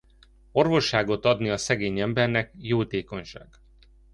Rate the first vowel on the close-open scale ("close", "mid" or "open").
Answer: mid